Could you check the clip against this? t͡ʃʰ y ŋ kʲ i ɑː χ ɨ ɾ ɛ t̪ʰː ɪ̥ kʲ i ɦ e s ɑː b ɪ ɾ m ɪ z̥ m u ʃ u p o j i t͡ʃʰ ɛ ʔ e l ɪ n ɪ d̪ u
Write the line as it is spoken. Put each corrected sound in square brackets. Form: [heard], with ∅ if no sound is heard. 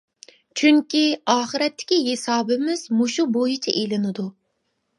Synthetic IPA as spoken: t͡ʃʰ y ŋ kʲ i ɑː χ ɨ ɾ ɛ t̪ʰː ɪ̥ kʲ i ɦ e s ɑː b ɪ [∅] m ɪ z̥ m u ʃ u [b] o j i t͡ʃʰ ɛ ʔ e l ɪ n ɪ d̪ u